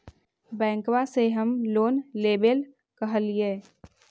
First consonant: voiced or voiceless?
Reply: voiced